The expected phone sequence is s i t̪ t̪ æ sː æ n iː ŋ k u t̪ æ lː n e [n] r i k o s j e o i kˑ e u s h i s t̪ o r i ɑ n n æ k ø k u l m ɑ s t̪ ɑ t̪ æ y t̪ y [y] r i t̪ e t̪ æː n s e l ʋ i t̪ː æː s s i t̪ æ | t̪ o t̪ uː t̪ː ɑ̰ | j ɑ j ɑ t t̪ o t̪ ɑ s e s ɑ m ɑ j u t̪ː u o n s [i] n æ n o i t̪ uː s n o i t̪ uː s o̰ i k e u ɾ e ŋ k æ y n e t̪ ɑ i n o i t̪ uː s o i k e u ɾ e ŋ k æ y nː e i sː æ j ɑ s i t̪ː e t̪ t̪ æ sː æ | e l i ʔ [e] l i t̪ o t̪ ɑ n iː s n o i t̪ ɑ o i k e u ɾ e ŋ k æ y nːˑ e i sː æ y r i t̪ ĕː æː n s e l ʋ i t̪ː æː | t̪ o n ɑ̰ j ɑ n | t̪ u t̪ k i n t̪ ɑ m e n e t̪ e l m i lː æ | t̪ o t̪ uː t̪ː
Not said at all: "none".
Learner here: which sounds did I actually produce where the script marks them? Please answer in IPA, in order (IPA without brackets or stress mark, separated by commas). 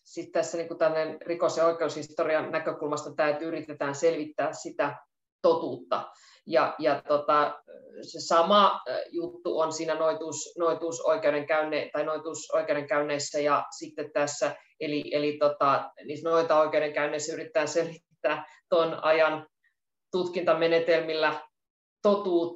n, y, iː, e